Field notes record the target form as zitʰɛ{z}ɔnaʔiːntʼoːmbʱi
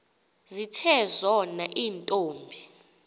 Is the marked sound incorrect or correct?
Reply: correct